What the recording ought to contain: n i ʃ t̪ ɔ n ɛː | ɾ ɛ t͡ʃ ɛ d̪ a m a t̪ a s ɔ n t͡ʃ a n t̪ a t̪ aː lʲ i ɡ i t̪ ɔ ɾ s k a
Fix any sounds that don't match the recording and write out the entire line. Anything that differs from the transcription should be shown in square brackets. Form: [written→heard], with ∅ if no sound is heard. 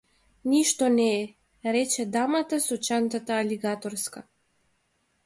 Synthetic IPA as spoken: n i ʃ t̪ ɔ n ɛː | ɾ ɛ t͡ʃ ɛ d̪ a m a t̪ a s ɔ [n→∅] t͡ʃ a n t̪ a t̪ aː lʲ i ɡ [i→a] t̪ ɔ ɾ s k a